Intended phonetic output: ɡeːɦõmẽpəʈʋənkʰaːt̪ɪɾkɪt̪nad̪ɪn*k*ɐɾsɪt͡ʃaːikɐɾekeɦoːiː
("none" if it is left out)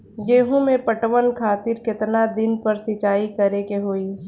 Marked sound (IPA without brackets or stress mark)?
p